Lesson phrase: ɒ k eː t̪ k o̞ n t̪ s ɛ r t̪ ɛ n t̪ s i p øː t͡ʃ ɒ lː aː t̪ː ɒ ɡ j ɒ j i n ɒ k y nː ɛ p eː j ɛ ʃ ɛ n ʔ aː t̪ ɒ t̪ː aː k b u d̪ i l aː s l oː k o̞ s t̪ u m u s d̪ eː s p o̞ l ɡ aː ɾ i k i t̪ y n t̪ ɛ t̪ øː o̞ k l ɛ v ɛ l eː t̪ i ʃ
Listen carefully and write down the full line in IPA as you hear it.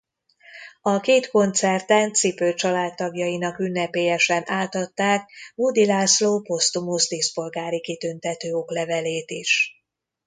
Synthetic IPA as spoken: ɒ k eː t̪ k o̞ n t̪ s ɛ r t̪ ɛ n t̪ s i p øː t͡ʃ ɒ l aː t̪ː ɒ ɡ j ɒ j i n ɒ k y nː ɛ p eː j ɛ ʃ ɛ n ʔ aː t̪ ɒ t̪ː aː k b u d̪ i l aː s l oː p o̞ s t̪ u m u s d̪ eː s p o̞ l ɡ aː ɾ i k i t̪ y n t̪ ɛ t̪ øː o̞ k l ɛ v ɛ l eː t̪ i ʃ